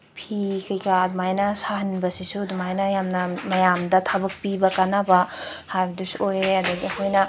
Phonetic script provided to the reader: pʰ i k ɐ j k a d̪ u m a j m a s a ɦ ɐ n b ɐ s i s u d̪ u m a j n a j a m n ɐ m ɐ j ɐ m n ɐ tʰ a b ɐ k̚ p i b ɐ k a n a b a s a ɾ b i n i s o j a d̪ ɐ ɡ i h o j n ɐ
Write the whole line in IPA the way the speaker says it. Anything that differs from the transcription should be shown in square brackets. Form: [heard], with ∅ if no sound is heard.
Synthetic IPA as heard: pʰ i k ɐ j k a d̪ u m a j [n] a s a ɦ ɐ n b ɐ s i s u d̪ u m a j n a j a m n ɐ m ɐ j [a] m [d] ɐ tʰ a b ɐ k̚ p i b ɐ k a n a b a [h] a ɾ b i [d] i s o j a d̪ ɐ ɡ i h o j n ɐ